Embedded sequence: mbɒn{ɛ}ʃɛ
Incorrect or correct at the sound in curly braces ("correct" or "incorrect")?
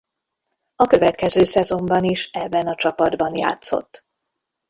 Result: incorrect